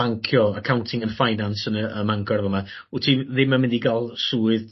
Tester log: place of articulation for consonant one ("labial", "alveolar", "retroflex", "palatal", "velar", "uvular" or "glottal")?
velar